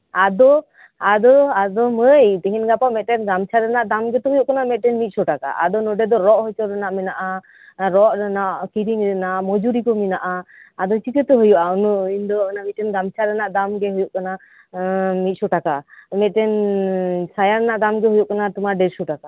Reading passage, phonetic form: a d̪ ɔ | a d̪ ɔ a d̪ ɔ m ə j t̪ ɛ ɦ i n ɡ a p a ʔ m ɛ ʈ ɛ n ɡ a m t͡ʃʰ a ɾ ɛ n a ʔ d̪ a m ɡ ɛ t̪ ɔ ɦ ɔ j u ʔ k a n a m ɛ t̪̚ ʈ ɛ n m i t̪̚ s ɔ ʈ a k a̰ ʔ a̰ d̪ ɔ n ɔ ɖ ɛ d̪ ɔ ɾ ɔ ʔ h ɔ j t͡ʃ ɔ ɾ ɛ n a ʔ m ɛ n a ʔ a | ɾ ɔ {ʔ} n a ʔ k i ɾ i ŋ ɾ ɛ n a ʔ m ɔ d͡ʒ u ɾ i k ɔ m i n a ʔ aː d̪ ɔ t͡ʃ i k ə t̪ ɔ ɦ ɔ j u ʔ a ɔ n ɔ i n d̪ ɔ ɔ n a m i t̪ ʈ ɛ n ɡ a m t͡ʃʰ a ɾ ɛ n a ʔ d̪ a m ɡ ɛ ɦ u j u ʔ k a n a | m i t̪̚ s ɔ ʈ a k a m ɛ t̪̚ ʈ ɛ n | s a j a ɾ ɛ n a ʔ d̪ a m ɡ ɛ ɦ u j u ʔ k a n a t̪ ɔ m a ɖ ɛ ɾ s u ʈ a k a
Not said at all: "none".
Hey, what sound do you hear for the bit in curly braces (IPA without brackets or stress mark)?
ʔ